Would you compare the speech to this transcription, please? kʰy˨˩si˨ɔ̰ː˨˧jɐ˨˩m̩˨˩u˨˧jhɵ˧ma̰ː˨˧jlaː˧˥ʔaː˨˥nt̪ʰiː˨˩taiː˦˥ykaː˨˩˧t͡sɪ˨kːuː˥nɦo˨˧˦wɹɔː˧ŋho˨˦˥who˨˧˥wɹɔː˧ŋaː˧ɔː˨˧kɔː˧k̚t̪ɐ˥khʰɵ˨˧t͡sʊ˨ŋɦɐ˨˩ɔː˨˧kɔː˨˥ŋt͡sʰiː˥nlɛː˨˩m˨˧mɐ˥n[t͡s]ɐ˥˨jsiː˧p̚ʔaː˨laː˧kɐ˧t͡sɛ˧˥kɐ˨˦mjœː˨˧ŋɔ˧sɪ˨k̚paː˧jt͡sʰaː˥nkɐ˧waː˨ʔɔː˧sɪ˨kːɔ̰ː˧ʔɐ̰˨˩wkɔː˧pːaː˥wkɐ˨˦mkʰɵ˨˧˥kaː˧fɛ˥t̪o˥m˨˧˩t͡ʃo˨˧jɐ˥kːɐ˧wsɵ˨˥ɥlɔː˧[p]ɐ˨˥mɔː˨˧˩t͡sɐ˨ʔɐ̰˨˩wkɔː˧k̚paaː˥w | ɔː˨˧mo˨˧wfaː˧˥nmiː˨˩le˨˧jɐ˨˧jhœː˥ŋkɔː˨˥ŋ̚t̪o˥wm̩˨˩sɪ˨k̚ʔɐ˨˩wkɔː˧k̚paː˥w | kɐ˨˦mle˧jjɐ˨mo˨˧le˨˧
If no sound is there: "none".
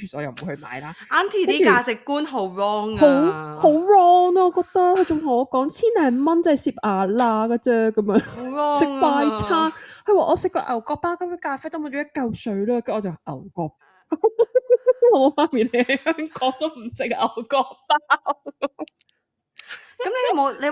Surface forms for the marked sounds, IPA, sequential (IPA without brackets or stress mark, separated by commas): t͡s, k